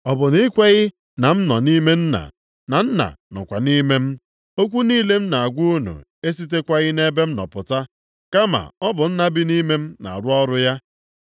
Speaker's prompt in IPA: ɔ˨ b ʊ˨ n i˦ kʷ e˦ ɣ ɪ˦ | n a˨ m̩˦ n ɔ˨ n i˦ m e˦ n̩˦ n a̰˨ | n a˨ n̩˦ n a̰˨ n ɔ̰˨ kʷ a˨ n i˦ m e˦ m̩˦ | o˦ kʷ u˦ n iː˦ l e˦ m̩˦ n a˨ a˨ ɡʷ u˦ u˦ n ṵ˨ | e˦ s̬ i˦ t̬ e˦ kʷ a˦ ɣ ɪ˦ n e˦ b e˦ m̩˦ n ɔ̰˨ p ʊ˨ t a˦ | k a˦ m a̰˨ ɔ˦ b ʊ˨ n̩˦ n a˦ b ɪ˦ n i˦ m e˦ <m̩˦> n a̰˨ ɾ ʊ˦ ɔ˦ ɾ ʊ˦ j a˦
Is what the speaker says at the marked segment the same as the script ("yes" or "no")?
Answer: yes